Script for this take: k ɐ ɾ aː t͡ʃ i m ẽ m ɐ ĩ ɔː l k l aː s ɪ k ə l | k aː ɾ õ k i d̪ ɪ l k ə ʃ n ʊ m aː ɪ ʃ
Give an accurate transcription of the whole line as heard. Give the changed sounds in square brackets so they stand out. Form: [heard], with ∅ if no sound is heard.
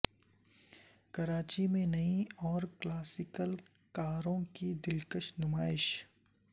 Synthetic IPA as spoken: k ɐ ɾ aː t͡ʃ i m ẽ [n] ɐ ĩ ɔː [ɾ] k l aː s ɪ k ə l | k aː ɾ õ k i d̪ ɪ l k ə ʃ n ʊ m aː ɪ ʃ

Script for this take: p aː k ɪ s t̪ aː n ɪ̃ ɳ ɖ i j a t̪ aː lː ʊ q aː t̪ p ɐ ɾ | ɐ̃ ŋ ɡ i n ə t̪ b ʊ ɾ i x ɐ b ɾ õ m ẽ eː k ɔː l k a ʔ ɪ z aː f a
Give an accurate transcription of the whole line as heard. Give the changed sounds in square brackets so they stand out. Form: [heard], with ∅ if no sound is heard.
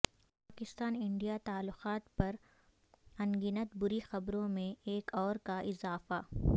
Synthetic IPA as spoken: p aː k ɪ s t̪ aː n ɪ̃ ɳ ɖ i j a t̪ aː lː ʊ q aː t̪ p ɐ ɾ | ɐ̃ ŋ ɡ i n ə t̪ b ʊ ɾ i x ɐ b ɾ õ m ẽ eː k ɔː [ɾ] k a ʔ ɪ z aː f a

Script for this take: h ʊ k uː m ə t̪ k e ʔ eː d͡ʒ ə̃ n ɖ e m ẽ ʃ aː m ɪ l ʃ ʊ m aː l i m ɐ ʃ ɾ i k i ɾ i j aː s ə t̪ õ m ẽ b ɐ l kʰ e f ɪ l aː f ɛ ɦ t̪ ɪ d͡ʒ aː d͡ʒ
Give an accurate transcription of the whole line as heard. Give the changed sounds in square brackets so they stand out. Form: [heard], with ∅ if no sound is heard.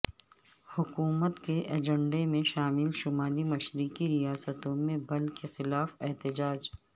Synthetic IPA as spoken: h ʊ k uː m ə t̪ k e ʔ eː d͡ʒ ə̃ [ɳ] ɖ e m ẽ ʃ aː m ɪ l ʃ ʊ m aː l i m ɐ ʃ ɾ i k i ɾ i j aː s ə t̪ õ m ẽ b ɐ l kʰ e [x] ɪ l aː f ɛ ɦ t̪ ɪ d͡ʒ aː d͡ʒ

